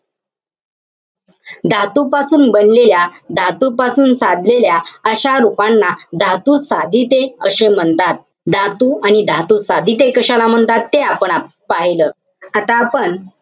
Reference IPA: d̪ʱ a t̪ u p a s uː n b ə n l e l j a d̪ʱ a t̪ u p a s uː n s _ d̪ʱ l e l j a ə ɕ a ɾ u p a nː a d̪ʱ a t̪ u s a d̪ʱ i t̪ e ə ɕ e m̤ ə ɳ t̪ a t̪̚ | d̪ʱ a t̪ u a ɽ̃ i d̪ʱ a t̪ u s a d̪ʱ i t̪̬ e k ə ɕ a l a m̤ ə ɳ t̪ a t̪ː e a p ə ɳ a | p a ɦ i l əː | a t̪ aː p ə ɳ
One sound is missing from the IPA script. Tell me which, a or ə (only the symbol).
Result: a